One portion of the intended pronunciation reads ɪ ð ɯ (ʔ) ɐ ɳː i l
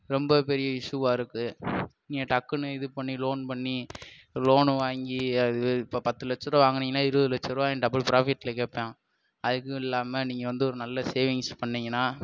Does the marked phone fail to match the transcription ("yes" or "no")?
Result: yes